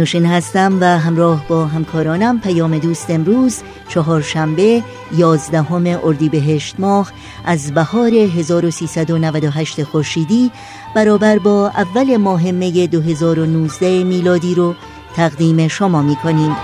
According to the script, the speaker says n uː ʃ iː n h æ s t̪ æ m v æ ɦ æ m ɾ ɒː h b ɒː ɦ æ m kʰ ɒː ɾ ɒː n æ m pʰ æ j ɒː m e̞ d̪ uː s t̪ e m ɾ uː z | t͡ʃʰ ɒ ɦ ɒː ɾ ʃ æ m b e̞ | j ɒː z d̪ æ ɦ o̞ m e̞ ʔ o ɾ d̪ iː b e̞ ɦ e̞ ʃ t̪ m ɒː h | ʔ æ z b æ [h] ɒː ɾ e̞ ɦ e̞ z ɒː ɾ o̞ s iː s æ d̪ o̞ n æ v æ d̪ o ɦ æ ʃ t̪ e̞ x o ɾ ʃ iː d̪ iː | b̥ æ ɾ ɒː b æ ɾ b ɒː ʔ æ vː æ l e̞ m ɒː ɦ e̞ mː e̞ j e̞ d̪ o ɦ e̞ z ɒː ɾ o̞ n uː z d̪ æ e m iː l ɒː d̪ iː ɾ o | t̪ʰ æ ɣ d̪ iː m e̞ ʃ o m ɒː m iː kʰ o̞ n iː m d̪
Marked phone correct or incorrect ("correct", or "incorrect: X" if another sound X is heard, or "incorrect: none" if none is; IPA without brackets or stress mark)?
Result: correct